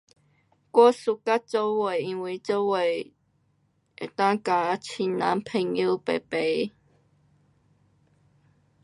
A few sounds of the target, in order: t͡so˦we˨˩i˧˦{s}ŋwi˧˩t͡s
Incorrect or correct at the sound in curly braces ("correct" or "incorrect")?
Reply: incorrect